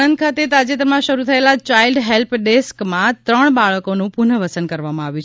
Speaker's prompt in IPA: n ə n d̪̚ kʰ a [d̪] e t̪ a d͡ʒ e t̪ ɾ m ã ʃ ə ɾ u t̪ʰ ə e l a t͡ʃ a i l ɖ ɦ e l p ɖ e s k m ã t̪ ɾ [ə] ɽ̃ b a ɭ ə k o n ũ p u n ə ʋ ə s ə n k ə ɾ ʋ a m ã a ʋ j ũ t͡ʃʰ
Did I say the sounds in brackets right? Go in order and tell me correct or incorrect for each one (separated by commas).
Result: incorrect, correct